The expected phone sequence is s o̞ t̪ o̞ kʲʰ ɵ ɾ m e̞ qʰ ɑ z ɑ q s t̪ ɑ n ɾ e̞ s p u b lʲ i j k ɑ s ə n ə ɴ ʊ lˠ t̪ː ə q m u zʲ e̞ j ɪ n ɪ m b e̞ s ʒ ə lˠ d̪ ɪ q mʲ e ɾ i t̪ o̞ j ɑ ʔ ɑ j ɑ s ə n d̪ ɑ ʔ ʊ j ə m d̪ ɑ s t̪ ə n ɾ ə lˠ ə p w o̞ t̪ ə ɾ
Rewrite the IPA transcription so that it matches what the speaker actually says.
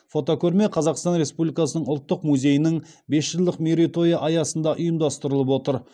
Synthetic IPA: f o̞ t̪ o̞ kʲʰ ɵ ɾ m e̞ qʰ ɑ z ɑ q s t̪ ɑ n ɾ e̞ s p u b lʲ i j k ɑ s ə n ə ɴ ʊ lˠ t̪ː ə q m u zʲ e̞ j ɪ n ɪ ŋ b e̞ s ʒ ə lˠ d̪ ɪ q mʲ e ɾ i t̪ o̞ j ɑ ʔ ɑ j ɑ s ə n d̪ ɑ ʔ ʊ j ə m d̪ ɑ s t̪ ə ɾ ə lˠ ə p w o̞ t̪ ə ɾ